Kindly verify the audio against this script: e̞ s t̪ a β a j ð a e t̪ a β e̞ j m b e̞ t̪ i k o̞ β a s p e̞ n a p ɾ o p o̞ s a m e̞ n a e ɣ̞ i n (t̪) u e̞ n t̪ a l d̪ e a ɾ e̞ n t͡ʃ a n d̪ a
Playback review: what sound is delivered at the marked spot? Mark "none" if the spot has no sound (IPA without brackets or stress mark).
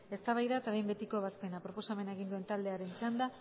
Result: d̪